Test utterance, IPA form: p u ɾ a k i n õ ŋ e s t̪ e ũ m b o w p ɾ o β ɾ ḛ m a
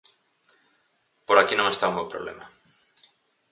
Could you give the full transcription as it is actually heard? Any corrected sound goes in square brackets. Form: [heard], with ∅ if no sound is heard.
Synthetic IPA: p [o] ɾ a k i n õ ŋ e s t̪ [a] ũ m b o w p ɾ o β [l] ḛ m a